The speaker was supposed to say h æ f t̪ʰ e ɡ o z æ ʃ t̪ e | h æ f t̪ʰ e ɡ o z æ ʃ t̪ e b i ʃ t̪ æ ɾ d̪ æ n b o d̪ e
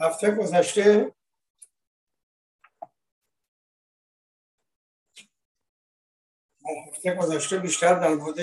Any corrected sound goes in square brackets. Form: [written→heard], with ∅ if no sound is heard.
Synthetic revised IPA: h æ f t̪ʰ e ɡ o z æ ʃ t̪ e | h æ f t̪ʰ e ɡ o z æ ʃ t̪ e b i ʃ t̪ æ ɾ d̪ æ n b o d̪ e